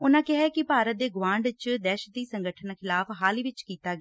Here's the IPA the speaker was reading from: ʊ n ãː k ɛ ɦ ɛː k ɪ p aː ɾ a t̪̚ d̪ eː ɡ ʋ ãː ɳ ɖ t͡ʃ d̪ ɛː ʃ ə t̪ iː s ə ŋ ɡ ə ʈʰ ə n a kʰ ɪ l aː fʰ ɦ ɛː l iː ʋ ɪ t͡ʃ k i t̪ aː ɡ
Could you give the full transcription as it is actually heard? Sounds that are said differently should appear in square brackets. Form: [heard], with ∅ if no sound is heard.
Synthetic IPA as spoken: ʊ n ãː k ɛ ɦ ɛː k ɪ p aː ɾ [ə] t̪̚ d̪ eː ɡ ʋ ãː ɳ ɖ t͡ʃ d̪ ɛː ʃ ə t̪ iː s ə ŋ ɡ ə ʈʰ ə n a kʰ ɪ l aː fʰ ɦ [aː] l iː ʋ ɪ t͡ʃ k [iː] t̪ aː ɡ